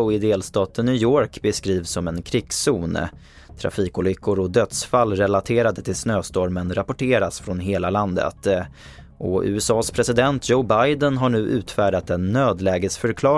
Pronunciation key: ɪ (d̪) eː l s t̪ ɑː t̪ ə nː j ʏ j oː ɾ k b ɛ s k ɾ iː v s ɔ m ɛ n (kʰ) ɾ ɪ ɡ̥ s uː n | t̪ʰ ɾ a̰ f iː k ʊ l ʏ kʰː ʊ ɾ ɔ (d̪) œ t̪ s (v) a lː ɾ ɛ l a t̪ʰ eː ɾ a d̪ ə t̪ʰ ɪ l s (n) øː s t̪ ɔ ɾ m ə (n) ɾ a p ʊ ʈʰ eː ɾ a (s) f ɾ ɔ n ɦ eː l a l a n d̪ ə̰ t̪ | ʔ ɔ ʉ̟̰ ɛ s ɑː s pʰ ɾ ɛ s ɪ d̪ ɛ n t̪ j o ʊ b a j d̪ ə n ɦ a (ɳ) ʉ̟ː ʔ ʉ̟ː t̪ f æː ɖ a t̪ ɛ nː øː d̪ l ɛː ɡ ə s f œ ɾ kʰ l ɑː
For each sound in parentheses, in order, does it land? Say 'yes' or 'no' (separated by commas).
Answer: yes, yes, yes, no, yes, yes, yes, yes